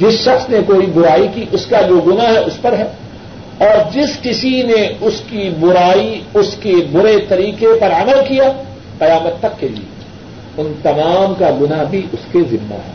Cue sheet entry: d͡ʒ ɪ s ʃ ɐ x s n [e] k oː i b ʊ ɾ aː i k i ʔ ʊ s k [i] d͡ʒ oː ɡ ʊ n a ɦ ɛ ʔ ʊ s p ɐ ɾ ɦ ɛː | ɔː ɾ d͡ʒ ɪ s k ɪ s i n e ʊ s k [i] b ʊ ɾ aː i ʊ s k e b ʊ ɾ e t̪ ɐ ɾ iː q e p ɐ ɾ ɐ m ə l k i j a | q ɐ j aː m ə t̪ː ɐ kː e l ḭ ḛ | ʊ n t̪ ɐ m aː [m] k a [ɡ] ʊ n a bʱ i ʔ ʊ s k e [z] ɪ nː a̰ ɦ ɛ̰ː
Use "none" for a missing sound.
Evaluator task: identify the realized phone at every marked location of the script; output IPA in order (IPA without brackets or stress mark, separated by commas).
e, a, i, m, ɡ, z